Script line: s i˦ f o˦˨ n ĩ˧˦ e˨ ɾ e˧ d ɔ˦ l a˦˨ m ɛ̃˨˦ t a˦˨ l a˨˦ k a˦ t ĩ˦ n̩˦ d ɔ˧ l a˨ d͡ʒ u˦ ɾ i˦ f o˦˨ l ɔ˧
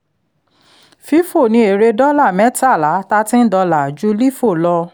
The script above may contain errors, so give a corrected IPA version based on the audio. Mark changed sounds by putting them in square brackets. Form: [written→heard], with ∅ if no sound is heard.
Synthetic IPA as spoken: [s→f] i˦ f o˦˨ n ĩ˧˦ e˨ ɾ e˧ d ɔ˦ l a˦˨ m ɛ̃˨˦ t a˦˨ l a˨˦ [k→t] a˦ t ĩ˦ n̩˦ d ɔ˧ l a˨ d͡ʒ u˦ [ɾ→l] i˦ f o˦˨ l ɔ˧